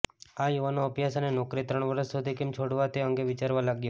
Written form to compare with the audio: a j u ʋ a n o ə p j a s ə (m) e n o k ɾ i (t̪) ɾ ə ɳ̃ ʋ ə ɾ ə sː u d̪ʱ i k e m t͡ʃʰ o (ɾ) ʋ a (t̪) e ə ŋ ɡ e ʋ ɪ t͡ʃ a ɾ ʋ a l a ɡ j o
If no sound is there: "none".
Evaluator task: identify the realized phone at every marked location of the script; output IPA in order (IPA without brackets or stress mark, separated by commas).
n, t̪, ɽ, t̪